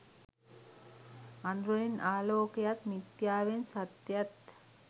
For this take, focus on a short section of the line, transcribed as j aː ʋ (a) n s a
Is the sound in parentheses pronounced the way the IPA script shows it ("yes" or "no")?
no